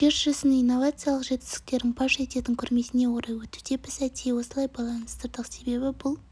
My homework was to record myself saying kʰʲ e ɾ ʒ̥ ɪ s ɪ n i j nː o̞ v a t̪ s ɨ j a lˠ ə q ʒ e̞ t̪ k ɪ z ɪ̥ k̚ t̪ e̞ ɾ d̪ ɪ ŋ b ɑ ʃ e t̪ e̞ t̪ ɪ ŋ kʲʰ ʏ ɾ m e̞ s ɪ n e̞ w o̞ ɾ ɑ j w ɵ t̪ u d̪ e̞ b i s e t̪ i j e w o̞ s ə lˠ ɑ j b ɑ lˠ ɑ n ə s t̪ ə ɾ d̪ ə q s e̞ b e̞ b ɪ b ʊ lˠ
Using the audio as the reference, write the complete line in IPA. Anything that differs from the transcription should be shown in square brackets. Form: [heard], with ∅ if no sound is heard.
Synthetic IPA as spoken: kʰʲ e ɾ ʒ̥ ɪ s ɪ n i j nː o̞ v a t̪ s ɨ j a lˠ ə q ʒ e̞ t̪ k ɪ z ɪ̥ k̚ t̪ e̞ ɾ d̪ ɪ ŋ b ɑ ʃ e t̪ e̞ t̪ ɪ ŋ kʲʰ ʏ ɾ m e̞ s ɪ n e̞ w o̞ ɾ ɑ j w ɵ t̪ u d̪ e̞ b [ɪ] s [æ] t̪ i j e w o̞ s ə lˠ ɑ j b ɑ lˠ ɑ n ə s t̪ ə ɾ d̪ ə q s e̞ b e̞ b ɪ b ʊ lˠ